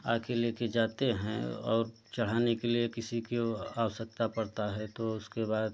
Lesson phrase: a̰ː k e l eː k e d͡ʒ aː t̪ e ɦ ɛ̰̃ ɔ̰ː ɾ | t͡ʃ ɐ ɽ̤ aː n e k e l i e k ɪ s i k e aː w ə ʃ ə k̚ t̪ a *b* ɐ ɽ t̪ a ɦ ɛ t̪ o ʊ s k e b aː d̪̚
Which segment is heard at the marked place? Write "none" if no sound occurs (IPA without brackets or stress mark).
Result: p